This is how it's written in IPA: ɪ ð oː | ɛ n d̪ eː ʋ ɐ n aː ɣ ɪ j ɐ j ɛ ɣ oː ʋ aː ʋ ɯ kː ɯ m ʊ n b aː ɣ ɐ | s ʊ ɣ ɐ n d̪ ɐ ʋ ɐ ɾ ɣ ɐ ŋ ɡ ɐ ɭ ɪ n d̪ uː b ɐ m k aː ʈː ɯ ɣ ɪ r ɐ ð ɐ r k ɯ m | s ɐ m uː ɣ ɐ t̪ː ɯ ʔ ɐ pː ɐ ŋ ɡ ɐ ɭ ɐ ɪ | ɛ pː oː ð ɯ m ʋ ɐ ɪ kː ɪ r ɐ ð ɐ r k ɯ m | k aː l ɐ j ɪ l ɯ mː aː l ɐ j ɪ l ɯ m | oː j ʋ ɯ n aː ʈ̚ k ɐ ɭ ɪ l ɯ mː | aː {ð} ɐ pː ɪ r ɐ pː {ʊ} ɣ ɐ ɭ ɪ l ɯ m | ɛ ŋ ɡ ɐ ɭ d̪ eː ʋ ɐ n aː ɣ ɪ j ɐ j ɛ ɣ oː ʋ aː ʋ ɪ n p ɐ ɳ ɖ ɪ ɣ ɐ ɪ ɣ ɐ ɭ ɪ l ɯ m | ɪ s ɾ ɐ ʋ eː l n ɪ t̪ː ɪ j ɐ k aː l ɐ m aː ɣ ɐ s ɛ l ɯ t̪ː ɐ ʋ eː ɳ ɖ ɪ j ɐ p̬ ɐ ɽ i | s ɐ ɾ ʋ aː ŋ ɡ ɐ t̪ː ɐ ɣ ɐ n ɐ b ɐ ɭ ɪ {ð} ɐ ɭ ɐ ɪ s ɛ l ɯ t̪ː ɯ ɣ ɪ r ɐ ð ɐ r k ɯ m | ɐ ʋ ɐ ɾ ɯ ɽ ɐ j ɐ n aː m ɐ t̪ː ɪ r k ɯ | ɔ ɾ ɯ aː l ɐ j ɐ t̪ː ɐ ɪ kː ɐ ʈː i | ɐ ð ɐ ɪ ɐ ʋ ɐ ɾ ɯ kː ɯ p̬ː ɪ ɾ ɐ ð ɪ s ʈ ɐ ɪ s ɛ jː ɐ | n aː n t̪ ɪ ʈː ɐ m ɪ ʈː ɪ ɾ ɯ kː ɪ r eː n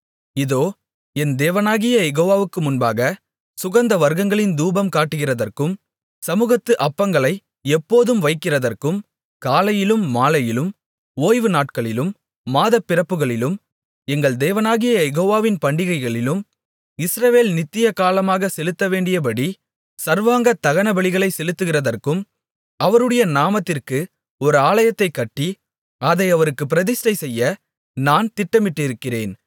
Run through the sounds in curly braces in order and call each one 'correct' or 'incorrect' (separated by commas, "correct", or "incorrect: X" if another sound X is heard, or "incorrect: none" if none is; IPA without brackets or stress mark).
correct, incorrect: ɯ, incorrect: ɣ